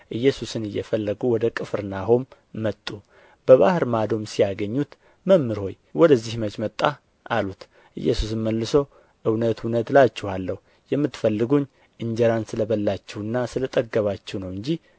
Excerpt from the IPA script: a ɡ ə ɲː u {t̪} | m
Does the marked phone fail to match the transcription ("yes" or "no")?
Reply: no